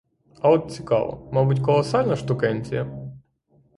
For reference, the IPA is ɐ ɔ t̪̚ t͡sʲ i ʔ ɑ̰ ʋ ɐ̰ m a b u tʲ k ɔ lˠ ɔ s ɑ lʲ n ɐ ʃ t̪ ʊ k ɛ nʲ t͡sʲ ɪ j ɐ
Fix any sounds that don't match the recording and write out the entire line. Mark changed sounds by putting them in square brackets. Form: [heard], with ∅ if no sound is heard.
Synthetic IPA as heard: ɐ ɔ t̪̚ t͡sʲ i [k] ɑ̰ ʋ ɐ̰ m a b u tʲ k ɔ lˠ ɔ s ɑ lʲ n ɐ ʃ t̪ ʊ k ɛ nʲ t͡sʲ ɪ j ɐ